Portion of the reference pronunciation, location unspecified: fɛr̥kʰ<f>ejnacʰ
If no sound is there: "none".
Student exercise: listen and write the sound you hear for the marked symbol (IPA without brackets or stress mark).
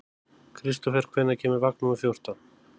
v